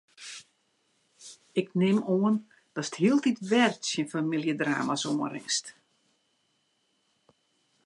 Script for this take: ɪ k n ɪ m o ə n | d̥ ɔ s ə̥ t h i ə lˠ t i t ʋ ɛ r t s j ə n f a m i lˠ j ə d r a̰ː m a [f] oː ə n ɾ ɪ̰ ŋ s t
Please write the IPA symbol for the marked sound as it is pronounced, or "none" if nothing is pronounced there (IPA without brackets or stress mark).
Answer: s